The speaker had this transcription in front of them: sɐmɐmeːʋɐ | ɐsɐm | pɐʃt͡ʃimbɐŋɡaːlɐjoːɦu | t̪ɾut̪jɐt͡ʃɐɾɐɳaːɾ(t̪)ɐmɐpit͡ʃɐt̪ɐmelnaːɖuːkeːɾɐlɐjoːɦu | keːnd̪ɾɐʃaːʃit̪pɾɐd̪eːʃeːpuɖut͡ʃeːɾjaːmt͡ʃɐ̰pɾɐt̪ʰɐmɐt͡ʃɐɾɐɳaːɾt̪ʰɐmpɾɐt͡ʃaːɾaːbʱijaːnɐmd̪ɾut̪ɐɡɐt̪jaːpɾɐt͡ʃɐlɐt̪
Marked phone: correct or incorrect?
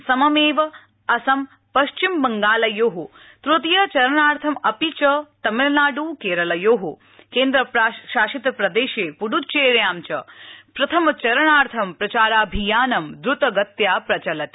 incorrect